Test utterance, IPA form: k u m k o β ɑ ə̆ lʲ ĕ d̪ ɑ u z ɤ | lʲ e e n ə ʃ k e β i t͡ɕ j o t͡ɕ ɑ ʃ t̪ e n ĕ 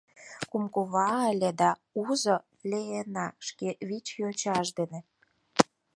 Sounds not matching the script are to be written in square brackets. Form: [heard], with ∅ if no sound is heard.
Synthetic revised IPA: k u m k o β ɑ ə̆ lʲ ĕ d̪ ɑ u z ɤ | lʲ e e n [ɑ] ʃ k e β i t͡ɕ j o t͡ɕ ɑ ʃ [d̪] e n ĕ

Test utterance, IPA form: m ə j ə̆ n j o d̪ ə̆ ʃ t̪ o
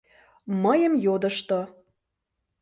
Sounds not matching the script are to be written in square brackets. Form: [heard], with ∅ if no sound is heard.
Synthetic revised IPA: m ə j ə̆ [m] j o d̪ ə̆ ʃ t̪ o

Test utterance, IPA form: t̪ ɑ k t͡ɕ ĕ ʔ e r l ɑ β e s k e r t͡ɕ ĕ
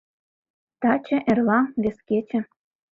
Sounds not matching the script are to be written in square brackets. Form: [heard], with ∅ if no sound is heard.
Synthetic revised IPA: t̪ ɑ [∅] t͡ɕ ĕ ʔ e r l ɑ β e s k e [∅] t͡ɕ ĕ

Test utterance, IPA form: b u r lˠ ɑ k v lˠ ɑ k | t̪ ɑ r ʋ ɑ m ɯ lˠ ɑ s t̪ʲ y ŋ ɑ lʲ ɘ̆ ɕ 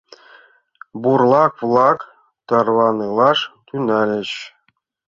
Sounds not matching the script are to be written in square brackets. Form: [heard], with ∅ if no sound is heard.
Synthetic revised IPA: b u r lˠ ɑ k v lˠ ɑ k | t̪ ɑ r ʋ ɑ [n] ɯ lˠ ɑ [ʂ] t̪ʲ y [n] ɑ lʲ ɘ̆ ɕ

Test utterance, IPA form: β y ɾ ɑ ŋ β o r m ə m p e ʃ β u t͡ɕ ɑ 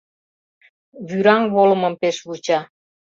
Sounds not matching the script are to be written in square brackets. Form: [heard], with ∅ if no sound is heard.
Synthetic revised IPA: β y ɾ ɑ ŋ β o [l] m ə m p e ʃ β u t͡ɕ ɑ

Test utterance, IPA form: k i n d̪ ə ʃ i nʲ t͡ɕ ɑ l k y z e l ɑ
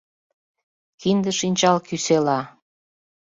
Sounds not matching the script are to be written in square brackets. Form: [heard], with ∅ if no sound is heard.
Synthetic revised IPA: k i n d̪ ə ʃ i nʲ t͡ɕ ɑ l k y [s] e l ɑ

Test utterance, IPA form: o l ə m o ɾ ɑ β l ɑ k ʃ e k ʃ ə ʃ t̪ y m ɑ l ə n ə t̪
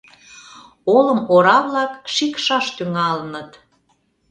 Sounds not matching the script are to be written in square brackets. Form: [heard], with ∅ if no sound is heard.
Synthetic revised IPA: o l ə m o ɾ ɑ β l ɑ k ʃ [i] k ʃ [ɑ] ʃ t̪ y [ŋ] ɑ l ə n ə t̪

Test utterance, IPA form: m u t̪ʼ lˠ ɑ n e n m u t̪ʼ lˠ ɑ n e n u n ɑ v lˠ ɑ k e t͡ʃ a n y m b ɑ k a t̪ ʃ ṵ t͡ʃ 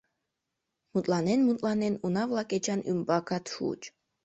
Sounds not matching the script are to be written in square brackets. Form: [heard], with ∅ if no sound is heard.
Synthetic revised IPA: m u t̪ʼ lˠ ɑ n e n m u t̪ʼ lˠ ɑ n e n u n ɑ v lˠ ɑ k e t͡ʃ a n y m b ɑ k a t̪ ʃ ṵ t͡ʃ

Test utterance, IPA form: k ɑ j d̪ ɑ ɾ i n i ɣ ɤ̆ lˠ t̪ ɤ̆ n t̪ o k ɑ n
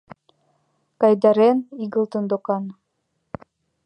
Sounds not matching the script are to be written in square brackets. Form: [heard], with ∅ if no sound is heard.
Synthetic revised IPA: k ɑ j d̪ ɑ ɾ [e] n i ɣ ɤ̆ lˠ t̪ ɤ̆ n [d̪] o k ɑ n

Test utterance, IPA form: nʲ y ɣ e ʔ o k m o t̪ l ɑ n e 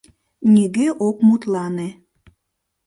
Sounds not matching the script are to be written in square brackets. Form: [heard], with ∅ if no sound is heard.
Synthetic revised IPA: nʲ [i] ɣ e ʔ o k m [u] t̪ l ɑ n e

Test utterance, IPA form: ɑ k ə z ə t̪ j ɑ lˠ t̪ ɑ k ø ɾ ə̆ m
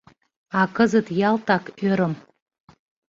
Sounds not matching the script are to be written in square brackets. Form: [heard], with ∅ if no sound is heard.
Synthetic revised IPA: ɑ k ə z ə t̪ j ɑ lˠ t̪ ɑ k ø ɾ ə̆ m

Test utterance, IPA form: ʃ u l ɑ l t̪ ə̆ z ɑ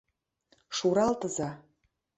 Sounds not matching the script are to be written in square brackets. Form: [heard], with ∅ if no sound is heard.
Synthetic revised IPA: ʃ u [ɾ] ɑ l t̪ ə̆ z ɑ

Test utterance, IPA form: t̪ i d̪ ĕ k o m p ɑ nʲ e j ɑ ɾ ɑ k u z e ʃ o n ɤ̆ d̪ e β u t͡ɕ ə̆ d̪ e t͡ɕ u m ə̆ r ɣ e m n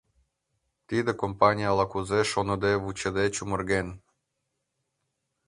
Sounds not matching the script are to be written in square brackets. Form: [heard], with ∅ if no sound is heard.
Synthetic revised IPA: t̪ i d̪ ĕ k o m p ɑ nʲ [i] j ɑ [l] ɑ k u z e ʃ o n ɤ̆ d̪ e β u t͡ɕ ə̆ d̪ e t͡ɕ u m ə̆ r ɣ e [∅] n

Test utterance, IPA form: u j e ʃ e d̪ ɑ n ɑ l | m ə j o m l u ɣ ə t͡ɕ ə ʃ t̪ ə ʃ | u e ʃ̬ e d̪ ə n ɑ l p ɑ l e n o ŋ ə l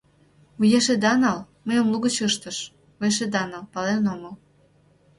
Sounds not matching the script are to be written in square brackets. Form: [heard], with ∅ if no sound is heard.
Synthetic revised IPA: u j e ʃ e d̪ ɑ n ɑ l | m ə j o m l u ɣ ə t͡ɕ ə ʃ t̪ ə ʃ | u e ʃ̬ e d̪ [ɑ] n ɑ l p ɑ l e n o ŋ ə l

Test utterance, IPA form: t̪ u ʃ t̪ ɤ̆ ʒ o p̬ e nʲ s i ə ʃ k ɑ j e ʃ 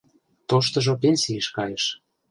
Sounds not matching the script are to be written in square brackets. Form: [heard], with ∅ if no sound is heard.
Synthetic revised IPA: t̪ [o] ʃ t̪ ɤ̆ ʒ o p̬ e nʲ s i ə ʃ k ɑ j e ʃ

